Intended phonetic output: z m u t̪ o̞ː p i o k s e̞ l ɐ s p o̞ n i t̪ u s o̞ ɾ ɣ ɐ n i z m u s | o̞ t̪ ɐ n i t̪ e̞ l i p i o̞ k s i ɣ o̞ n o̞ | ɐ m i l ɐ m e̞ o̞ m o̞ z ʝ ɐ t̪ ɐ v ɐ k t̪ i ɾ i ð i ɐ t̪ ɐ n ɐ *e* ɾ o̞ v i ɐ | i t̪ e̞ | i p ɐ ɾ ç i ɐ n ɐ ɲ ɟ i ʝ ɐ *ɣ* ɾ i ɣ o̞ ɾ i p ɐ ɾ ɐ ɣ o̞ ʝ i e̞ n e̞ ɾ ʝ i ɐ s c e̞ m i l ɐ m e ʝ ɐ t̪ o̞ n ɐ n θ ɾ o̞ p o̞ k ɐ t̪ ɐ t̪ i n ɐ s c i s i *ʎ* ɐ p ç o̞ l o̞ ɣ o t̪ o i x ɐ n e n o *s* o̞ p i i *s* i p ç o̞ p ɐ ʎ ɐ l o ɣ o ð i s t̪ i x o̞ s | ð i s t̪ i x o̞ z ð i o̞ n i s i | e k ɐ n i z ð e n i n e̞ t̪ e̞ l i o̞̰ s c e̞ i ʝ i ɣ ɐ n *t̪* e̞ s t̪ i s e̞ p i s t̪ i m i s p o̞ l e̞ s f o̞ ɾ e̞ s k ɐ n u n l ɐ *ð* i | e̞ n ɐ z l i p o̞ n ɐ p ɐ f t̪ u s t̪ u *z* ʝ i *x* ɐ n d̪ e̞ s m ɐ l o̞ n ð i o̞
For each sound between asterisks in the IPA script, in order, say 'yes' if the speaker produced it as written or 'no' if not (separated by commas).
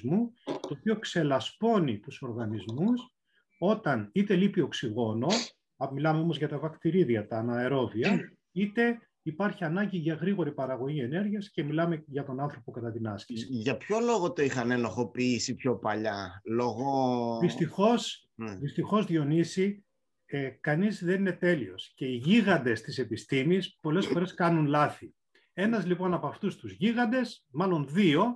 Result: yes, yes, no, no, yes, no, no, yes, no